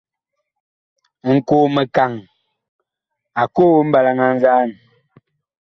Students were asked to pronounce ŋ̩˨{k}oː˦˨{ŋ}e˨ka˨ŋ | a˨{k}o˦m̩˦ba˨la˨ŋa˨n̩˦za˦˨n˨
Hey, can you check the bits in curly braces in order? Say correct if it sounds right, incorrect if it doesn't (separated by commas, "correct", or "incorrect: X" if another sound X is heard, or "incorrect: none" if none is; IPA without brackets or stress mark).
correct, incorrect: m, correct